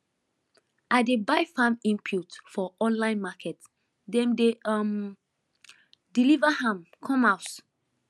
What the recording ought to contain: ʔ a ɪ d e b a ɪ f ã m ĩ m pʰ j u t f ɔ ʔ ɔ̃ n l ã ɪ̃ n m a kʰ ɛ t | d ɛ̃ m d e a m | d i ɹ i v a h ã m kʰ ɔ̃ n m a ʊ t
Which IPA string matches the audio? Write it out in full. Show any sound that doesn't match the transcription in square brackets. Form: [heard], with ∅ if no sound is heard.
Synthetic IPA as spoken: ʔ a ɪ d e b a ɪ f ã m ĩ m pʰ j u t f ɔ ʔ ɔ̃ n l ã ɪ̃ n m a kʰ ɛ t | d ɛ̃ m d e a m | d i [l] i v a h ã m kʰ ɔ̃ [∅] m a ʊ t

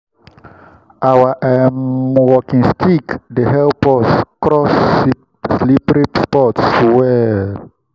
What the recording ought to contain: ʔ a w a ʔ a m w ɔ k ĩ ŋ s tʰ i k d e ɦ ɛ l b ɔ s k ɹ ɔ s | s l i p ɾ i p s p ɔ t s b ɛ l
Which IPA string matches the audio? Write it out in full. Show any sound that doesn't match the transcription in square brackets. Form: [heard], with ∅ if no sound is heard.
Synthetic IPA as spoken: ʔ a w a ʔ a m w ɔ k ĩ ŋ s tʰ i k d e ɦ ɛ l [p] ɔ s k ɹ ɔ s | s l i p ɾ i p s p ɔ t s [w] ɛ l

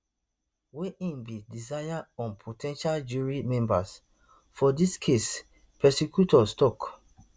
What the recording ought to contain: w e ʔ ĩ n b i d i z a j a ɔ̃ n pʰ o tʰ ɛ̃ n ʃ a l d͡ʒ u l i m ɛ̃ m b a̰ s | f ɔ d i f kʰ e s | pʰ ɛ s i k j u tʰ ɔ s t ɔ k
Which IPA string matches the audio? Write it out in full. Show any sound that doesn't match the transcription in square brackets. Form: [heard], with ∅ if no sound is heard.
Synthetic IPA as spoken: w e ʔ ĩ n b i d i z a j a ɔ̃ n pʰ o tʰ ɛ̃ n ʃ a l d͡ʒ u [ɹ] i m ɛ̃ m b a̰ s | f ɔ d i [s] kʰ e s | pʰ ɛ s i k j u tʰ ɔ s t ɔ k

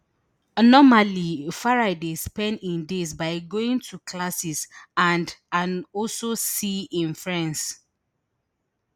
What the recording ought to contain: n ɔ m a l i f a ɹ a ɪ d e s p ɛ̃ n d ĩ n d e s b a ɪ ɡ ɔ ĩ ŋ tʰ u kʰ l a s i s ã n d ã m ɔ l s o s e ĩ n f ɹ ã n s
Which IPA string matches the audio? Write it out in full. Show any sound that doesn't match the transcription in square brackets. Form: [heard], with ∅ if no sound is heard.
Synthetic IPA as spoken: n ɔ m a l i f a ɹ a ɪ d e s p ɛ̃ n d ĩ n d e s b a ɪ ɡ [o] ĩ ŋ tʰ u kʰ l a s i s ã n d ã [n] ɔ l s o s [i] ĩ n f ɹ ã n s

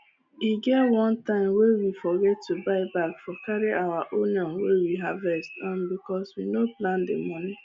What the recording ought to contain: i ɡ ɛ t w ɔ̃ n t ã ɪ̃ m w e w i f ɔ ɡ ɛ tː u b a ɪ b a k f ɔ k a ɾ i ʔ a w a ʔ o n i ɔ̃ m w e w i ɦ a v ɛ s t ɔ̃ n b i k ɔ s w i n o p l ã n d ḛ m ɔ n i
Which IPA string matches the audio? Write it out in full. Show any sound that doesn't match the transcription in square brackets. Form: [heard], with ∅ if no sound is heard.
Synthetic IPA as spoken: i ɡ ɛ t w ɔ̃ n t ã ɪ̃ m w e w i f ɔ ɡ ɛ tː u b a ɪ b a k f ɔ k a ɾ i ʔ a w a ʔ o n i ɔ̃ [n] w e w i ɦ a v ɛ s t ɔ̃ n b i k ɔ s w i n o p l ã n d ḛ m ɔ n i

